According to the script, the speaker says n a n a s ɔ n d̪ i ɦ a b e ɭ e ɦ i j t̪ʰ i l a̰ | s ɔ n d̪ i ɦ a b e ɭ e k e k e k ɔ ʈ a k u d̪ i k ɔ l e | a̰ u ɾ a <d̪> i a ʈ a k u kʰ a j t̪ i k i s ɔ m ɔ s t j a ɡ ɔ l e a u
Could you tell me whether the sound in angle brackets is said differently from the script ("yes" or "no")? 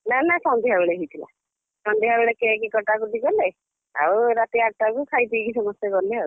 yes